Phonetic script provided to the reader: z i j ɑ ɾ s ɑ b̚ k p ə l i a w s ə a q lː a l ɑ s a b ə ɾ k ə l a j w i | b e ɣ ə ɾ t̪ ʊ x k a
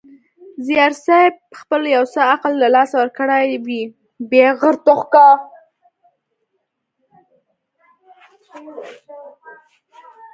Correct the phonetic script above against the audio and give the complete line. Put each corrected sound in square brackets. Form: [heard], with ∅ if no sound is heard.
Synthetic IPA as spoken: z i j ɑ ɾ s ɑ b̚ [x] p ə l [j] a w s ə a q lː a l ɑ s a [w] ə ɾ k ə [ɽ] a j w i | b e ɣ ə ɾ t̪ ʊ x k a